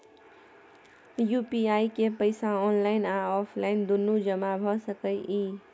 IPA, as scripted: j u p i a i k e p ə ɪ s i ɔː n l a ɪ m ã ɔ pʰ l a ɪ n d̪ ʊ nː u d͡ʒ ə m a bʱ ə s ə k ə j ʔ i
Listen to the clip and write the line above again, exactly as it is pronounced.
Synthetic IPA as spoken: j u p i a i k e p ə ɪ s a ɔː n l a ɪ n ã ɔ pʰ l a ɪ n d̪ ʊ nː u d͡ʒ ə m a bʱ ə s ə k ə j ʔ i